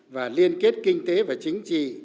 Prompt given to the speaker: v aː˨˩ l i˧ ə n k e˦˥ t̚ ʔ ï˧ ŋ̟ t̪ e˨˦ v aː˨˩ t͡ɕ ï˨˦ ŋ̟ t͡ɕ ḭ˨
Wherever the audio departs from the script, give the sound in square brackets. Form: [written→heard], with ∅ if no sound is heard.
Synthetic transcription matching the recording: v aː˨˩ l i˧ ə n k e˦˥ t̚ [ʔ→k] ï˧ ŋ̟ t̪ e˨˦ v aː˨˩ t͡ɕ ï˨˦ ŋ̟ t͡ɕ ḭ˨

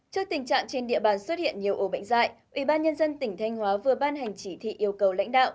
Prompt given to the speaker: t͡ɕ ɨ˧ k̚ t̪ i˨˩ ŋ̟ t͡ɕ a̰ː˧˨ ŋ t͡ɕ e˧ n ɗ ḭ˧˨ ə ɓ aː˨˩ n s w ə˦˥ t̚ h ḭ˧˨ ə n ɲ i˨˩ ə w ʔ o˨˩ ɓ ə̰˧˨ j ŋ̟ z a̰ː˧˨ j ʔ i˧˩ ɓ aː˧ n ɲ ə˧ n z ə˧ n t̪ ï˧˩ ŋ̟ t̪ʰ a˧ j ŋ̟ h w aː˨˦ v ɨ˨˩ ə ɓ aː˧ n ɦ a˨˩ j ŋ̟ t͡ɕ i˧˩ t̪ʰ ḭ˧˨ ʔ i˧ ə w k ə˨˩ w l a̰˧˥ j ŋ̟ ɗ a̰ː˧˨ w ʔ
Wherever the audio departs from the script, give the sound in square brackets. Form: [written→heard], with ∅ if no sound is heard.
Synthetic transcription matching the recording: t͡ɕ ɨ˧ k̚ t̪ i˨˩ ŋ̟ t͡ɕ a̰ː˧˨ ŋ t͡ɕ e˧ n ɗ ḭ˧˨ ə ɓ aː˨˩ n s w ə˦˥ t̚ h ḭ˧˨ ə n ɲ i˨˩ ə w ʔ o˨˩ ɓ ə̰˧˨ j ŋ̟ z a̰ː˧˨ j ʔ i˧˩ ɓ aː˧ n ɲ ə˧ n z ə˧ n t̪ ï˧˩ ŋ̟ t̪ʰ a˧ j ŋ̟ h w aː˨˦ v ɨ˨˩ ə ɓ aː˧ n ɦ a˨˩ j ŋ̟ t͡ɕ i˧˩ t̪ʰ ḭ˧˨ ʔ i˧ ə w k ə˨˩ w l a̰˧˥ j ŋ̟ ɗ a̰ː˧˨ w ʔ

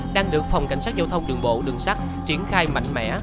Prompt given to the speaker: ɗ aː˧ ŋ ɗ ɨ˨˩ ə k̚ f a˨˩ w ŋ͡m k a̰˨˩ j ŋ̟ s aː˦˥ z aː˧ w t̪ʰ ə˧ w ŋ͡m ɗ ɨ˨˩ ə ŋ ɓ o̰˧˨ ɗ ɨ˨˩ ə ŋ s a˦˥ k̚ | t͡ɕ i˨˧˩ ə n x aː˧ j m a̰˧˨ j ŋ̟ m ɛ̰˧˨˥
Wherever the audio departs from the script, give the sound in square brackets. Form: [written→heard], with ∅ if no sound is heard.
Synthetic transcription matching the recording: ɗ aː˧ ŋ ɗ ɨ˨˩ ə k̚ f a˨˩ w ŋ͡m k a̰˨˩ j ŋ̟ s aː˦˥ z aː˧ w t̪ʰ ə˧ w ŋ͡m ɗ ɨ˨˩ ə ŋ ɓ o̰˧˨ ɗ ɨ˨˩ ə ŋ s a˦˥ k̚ | t͡ɕ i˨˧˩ ə n x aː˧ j m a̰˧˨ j ŋ̟ m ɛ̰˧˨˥

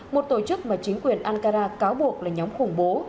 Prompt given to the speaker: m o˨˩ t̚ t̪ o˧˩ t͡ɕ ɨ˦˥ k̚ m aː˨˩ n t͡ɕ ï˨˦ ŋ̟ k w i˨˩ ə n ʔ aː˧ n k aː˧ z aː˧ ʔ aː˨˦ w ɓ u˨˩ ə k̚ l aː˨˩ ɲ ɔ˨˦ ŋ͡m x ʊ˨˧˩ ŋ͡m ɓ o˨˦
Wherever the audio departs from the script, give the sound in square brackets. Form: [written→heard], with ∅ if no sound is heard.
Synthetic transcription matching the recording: m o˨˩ t̚ t̪ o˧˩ t͡ɕ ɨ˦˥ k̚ m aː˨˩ [n→∅] t͡ɕ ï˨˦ ŋ̟ k w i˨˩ ə n ʔ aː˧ n k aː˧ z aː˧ [ʔ→k] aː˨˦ w ɓ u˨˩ ə k̚ l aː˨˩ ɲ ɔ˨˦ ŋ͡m x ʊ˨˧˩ ŋ͡m ɓ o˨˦

